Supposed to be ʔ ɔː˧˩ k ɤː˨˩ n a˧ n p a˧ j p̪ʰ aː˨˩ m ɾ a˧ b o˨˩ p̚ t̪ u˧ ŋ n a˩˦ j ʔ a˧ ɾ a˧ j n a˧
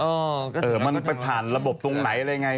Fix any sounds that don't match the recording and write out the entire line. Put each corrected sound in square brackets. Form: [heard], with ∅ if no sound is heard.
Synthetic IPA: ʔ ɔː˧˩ [ʔ] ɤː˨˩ [m] a˧ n p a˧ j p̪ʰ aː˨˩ [n] ɾ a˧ b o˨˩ p̚ t̪ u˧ ŋ n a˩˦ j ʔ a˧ ɾ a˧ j [ŋ] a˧